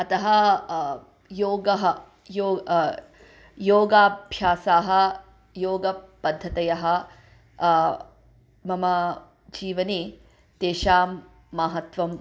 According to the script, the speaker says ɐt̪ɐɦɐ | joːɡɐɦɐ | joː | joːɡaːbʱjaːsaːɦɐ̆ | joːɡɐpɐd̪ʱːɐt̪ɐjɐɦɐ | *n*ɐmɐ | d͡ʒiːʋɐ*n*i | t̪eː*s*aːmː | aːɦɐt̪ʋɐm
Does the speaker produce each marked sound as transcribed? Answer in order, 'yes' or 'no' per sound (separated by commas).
no, yes, no